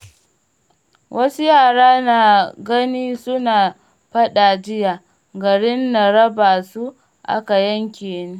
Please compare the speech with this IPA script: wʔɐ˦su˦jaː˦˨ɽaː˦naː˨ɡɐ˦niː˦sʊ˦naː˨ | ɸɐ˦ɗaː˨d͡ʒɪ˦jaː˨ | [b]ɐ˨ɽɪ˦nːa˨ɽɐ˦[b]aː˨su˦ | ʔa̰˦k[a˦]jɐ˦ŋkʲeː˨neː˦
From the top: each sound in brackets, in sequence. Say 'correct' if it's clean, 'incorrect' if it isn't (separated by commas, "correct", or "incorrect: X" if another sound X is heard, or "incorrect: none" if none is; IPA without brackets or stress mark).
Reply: incorrect: ɡ, correct, incorrect: a˨